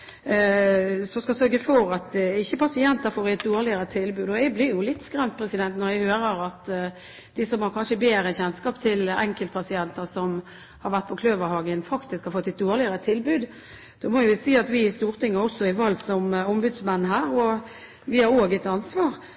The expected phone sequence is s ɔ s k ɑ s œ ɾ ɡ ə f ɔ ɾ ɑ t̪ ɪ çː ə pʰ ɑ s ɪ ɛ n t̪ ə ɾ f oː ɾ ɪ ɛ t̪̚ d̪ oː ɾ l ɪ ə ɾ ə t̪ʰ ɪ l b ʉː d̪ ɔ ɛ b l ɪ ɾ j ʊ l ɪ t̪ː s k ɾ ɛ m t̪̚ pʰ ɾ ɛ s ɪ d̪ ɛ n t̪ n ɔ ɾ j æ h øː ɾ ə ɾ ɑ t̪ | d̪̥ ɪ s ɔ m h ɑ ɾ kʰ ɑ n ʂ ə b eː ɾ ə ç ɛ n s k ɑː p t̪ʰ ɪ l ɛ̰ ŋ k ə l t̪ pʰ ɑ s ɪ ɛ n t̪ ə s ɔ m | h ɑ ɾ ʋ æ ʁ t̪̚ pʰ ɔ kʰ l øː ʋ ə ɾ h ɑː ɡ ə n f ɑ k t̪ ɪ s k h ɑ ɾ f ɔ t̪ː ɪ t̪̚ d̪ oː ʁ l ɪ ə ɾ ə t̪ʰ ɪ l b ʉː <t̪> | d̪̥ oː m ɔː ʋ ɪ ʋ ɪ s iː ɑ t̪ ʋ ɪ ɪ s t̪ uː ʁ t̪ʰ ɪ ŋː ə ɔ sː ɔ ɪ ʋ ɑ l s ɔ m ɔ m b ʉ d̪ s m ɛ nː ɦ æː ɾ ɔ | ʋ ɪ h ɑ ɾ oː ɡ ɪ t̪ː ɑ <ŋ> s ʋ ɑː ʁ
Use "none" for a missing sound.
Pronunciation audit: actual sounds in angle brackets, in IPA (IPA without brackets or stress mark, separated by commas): d̪, n